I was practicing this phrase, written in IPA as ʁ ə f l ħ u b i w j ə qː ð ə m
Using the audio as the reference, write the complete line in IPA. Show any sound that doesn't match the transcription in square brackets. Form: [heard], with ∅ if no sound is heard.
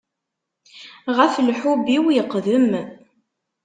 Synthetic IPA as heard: ʁ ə f l ħ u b i w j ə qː ð ə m